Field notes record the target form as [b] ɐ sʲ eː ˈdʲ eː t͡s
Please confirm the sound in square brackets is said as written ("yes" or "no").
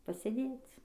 no